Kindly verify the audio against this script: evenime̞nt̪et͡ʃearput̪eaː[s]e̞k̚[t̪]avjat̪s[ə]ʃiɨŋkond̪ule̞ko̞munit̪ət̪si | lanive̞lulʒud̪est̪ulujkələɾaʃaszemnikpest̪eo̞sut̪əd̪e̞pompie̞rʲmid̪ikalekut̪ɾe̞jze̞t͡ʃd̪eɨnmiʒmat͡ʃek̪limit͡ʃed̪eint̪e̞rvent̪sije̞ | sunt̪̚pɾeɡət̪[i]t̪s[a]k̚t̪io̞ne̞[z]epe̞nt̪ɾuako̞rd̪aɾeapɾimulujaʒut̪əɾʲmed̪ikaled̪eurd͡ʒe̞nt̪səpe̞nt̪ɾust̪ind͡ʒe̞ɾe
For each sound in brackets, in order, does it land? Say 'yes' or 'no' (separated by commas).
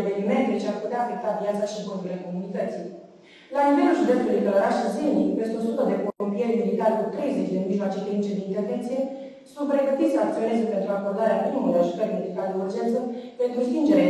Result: no, yes, no, yes, yes, yes